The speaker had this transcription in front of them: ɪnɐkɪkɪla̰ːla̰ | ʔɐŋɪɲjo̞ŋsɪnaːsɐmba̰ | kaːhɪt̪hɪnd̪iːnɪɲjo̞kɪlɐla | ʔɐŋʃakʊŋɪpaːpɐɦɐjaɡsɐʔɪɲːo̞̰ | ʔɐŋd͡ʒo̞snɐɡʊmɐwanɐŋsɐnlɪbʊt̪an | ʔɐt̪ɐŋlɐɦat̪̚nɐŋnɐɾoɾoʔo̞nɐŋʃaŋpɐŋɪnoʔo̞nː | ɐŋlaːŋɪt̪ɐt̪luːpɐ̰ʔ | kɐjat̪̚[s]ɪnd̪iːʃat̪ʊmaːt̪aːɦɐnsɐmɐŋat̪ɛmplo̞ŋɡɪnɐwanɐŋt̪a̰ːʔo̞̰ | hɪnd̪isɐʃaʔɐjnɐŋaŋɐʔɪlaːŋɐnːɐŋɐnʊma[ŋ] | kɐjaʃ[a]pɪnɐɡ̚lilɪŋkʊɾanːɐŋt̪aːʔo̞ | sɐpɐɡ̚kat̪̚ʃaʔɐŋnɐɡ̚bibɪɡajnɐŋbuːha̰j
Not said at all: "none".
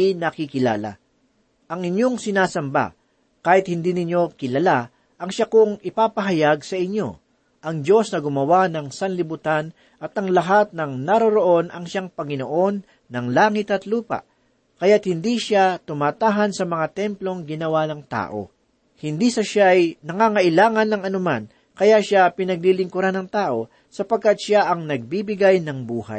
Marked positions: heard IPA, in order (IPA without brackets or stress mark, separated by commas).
h, n, a